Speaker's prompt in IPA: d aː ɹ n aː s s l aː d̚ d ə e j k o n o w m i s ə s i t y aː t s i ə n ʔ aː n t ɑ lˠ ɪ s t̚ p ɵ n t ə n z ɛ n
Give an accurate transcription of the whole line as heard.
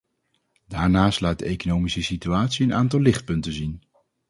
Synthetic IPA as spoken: d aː ɹ n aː s t l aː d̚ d ə e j k o n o w m i s ə s i t y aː t s i ə n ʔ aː n t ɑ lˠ ɪ χ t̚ p ɵ n t ə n z i n